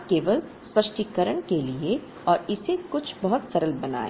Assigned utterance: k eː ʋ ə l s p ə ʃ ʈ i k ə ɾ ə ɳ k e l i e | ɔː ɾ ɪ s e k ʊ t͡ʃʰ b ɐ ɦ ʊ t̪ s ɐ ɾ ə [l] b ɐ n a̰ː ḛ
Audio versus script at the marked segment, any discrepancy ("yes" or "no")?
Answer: no